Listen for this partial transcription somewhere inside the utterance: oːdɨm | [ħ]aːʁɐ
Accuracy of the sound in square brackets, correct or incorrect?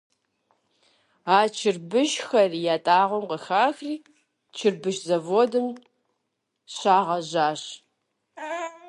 incorrect